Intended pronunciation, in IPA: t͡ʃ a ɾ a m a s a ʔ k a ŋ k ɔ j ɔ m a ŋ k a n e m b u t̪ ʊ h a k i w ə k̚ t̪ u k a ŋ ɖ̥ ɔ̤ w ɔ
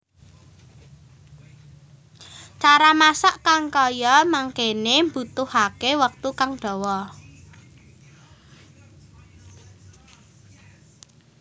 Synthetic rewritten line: t͡ʃ a ɾ a m a s a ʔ k a ŋ k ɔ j ɔ m a ŋ k e n e m b u t̪ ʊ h a k e w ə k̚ t̪ u k a ŋ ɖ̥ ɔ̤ w ɔ